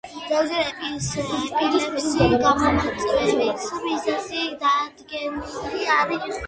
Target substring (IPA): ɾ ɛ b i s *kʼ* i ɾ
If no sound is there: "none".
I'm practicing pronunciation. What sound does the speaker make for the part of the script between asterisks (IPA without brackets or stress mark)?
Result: pʼ